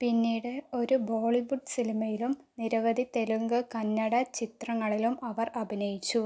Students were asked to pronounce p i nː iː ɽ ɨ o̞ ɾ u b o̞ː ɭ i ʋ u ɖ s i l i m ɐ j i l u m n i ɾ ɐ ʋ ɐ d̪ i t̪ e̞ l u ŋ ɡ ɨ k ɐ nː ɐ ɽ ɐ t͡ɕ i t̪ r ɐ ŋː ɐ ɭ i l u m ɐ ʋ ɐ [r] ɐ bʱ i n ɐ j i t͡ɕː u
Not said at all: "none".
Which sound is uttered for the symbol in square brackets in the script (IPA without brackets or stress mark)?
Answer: r